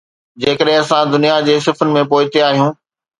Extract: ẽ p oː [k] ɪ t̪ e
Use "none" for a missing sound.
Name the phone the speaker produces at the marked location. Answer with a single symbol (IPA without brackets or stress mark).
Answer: none